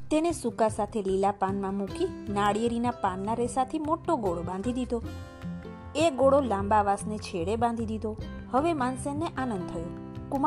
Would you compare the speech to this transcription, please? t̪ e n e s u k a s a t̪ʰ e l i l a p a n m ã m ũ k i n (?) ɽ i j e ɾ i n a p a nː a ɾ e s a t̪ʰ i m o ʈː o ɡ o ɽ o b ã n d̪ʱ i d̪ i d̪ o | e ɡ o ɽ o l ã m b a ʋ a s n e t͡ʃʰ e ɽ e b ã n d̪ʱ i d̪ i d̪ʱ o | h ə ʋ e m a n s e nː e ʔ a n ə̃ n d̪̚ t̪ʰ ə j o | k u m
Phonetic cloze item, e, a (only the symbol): a